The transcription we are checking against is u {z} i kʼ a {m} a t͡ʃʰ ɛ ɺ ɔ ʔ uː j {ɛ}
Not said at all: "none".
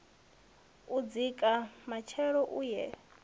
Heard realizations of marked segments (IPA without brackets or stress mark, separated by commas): d͡z, m, ɛ